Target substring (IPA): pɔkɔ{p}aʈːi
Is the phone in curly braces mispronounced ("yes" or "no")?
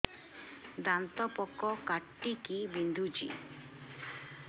yes